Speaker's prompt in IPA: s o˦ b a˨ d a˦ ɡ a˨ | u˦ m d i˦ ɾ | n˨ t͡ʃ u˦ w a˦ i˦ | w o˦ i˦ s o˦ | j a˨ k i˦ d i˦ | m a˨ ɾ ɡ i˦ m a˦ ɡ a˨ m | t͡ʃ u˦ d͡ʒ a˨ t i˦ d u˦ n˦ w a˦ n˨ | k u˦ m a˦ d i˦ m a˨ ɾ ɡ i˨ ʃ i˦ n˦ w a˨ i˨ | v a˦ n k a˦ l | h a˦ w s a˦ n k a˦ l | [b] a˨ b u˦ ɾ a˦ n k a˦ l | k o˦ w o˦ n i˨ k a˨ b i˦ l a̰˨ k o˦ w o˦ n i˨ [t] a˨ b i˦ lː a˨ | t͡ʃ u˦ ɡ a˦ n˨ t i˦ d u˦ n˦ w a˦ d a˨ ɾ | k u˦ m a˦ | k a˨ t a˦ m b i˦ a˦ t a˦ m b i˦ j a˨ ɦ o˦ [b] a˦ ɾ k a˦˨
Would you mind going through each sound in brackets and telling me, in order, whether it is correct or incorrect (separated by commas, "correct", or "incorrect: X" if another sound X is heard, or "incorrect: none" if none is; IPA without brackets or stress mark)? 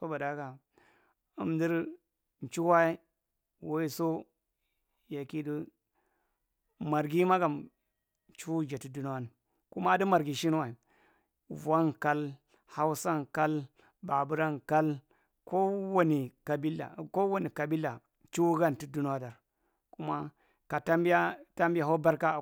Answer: correct, incorrect: k, correct